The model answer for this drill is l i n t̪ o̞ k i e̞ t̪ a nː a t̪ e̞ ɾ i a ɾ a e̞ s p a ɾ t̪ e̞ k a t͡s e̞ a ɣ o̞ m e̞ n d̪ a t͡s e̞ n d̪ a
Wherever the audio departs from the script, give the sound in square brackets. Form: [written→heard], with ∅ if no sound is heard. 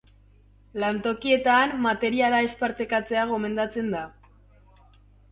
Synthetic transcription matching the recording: l [i→a] n t̪ o̞ k i e̞ t̪ a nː a t̪ e̞ ɾ i a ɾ a e̞ s p a ɾ t̪ e̞ k a t͡s e̞ a ɣ o̞ m e̞ n d̪ a t͡s e̞ n d̪ a